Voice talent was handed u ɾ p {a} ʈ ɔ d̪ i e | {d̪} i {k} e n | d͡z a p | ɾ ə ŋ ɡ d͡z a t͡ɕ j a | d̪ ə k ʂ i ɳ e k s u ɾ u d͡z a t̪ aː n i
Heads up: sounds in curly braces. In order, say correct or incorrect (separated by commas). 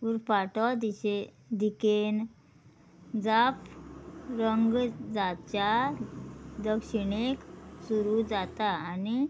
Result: correct, correct, correct